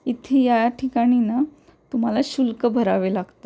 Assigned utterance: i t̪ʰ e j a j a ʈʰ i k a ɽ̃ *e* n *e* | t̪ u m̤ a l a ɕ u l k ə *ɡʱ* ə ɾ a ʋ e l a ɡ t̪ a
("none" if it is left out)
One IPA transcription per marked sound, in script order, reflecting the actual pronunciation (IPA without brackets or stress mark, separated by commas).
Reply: i, a, bʱ